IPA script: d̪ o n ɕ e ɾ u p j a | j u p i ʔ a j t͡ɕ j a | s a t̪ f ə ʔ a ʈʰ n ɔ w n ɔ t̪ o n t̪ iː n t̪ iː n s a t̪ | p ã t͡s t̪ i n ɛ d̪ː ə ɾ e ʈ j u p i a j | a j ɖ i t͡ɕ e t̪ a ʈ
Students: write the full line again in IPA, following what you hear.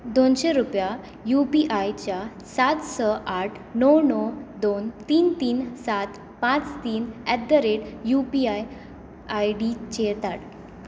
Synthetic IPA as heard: d̪ o n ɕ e ɾ u p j a | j u p i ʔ a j t͡ɕ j a | s a t̪ s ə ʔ a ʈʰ n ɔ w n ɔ d̪ o n t̪ iː n t̪ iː n s a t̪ | p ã t͡s t̪ iː n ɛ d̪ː ə ɾ e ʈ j u p i a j | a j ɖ i t͡ɕ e t̪ a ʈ